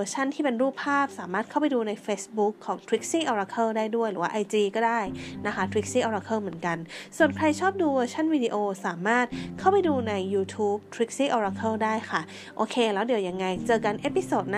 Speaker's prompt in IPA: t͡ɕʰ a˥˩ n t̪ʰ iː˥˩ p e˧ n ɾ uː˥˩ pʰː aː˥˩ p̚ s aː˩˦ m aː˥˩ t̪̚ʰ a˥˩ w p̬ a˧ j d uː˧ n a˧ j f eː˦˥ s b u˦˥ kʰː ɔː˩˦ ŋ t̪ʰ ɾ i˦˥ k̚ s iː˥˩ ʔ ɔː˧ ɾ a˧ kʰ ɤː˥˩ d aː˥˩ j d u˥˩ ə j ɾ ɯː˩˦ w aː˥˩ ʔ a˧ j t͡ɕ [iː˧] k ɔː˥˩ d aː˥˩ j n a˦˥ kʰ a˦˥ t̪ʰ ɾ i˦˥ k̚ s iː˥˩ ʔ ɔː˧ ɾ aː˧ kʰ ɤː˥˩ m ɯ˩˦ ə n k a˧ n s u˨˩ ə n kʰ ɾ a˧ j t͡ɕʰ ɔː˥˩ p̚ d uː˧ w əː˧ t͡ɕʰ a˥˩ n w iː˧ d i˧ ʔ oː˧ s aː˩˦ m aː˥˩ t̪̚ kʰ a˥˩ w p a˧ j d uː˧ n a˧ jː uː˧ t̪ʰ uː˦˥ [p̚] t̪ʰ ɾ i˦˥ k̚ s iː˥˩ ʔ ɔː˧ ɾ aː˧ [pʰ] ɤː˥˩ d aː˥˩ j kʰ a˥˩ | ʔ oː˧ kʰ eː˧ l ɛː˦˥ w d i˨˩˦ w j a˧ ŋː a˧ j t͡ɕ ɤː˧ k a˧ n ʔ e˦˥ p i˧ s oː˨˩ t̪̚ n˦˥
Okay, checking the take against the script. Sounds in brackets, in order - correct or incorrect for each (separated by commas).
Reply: correct, correct, incorrect